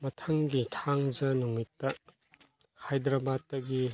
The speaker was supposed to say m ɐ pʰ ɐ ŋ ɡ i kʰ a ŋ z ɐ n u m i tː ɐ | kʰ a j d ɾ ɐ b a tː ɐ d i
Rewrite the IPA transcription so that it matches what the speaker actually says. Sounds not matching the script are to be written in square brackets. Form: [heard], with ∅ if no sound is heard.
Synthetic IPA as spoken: m ɐ [tʰ] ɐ ŋ ɡ i [tʰ] a ŋ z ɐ n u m i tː ɐ | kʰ a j d ɾ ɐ b a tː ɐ [ɡ] i

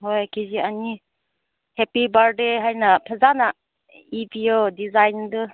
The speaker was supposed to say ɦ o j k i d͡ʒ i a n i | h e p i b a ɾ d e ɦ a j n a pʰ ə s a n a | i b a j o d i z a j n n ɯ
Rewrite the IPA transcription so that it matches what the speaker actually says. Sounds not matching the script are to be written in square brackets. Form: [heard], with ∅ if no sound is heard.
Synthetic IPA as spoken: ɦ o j k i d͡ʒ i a n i | h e p i b a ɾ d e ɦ a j n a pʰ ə [z] a n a | i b [i] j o d i z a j n [d] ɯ

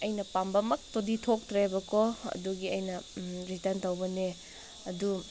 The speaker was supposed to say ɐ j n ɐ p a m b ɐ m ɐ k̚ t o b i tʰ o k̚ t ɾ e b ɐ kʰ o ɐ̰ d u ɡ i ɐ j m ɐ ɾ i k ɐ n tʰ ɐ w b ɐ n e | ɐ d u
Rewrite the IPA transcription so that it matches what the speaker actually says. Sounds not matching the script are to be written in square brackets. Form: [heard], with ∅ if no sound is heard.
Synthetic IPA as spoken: ɐ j n ɐ p a m b ɐ m ɐ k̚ t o [d] i tʰ o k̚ t ɾ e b ɐ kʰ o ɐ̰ d u ɡ i ɐ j [n] ɐ ɾ i [t] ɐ n [t] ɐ w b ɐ n e | ɐ d u

